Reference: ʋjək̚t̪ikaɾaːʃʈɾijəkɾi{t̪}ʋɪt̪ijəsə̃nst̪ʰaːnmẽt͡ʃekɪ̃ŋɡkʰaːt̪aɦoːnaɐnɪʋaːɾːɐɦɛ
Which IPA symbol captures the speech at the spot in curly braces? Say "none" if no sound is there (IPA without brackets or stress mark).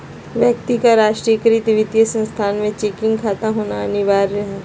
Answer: t̪